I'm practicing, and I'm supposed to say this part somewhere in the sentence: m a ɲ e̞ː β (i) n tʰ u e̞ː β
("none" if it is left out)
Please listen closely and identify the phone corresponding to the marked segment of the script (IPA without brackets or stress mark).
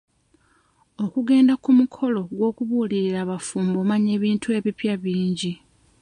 iː